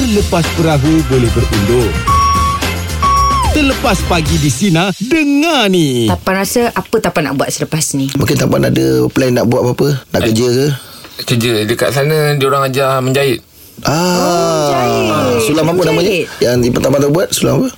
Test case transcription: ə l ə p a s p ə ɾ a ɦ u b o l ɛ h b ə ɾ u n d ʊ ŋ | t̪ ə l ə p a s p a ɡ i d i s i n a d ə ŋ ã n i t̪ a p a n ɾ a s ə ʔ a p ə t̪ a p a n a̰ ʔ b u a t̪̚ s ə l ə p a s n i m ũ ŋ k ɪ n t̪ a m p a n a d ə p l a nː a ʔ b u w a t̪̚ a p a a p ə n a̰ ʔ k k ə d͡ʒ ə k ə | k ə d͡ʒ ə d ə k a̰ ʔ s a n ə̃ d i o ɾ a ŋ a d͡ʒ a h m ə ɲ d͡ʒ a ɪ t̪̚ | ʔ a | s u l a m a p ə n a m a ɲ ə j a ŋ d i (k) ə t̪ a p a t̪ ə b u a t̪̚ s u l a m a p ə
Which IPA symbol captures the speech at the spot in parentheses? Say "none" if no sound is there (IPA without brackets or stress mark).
p